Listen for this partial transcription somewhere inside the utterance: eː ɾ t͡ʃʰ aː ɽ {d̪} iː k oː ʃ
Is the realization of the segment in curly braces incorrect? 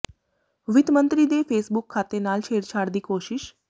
no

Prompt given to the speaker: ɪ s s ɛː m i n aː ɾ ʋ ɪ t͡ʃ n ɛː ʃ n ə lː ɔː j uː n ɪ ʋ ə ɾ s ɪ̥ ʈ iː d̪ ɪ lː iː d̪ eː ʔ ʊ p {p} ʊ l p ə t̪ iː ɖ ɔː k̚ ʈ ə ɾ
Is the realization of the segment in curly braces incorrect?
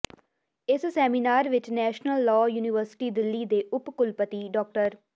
yes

